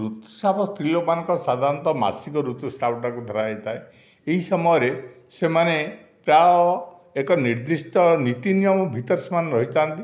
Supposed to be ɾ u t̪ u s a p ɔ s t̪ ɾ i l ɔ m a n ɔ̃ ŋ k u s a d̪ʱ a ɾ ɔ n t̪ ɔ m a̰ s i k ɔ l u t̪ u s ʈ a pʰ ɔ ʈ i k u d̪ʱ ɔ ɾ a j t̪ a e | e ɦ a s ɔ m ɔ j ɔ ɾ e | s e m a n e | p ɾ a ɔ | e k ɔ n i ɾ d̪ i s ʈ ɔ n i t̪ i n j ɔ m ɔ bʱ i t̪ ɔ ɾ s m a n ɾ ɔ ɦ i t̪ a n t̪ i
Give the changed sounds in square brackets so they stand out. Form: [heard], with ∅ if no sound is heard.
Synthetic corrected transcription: ɾ u t̪ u s a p ɔ s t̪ ɾ i l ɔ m a n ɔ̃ ŋ k [ɔ] s a d̪ʱ a ɾ ɔ n t̪ ɔ m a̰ s i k ɔ [ɾ] u t̪ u s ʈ a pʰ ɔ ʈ [a] k u d̪ʱ ɔ ɾ a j t̪ a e | e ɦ [i] s ɔ m ɔ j ɔ ɾ e | s e m a n e | p ɾ a ɔ | e k ɔ n i ɾ d̪ i s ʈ ɔ n i t̪ i n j ɔ m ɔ bʱ i t̪ ɔ ɾ s m a n ɾ ɔ ɦ i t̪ a n t̪ i

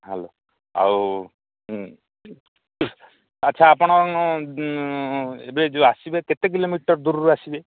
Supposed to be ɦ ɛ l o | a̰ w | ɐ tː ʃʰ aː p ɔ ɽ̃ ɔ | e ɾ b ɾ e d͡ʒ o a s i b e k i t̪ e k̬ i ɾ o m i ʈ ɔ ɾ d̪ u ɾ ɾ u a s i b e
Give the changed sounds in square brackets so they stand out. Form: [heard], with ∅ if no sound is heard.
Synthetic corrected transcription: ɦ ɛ l o | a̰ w | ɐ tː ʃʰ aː p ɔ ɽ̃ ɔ | e [∅] b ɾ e d͡ʒ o a s i b e k [e] t̪ e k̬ i [l] o m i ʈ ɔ ɾ d̪ u ɾ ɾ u a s i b e

